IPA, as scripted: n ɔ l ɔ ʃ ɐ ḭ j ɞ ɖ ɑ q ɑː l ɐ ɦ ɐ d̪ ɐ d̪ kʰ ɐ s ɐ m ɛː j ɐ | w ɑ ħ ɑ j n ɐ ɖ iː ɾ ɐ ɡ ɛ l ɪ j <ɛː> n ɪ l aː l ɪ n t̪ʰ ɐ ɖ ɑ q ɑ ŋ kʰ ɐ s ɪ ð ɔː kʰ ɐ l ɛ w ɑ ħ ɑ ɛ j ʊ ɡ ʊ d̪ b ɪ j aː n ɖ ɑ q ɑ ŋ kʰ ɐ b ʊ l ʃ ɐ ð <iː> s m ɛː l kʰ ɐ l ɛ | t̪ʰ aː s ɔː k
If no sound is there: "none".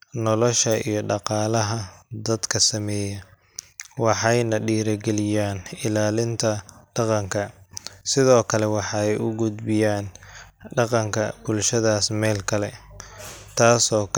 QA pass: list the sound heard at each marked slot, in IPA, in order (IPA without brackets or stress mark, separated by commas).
aː, aː